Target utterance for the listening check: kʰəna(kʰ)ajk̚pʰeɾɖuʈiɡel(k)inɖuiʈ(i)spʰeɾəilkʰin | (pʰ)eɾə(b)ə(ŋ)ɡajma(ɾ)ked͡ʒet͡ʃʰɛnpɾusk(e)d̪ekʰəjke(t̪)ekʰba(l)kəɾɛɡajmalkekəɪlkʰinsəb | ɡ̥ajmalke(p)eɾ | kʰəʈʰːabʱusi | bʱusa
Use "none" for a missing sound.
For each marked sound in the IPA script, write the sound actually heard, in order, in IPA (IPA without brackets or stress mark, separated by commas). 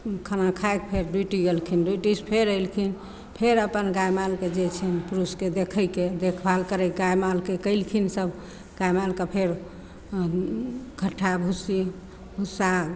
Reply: kʰ, kʰ, i, pʰ, p, n, l, e, d̪, l, pʰ